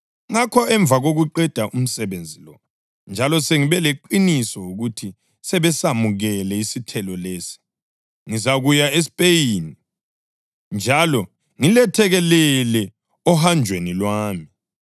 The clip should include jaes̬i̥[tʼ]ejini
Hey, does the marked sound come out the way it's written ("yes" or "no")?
no